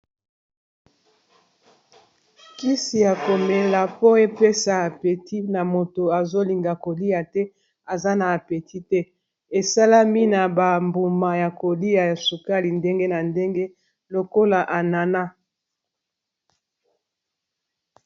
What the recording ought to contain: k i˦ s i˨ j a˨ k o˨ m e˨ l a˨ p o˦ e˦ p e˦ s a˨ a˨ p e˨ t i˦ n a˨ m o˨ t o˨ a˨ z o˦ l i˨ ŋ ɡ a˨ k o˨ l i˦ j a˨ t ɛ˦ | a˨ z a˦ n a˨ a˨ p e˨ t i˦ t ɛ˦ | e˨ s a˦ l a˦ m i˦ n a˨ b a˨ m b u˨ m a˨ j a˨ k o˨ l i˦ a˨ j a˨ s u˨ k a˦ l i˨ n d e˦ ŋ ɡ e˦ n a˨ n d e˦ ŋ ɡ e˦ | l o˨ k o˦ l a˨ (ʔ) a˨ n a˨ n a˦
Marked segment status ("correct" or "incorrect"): correct